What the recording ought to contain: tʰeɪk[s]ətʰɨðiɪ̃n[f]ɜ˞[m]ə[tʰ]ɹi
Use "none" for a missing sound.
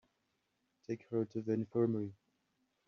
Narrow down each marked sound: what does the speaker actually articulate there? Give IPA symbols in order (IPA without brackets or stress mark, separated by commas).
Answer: h, f, m, none